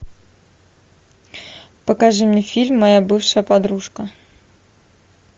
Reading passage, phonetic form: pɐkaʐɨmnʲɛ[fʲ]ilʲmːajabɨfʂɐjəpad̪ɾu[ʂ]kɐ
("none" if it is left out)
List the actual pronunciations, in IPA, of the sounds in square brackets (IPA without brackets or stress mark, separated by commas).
fʲ, ʂ